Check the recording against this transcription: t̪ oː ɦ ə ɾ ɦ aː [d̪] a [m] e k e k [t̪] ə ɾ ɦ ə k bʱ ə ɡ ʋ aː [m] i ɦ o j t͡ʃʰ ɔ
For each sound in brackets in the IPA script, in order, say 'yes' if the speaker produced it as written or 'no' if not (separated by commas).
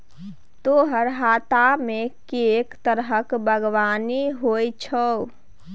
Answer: no, yes, yes, no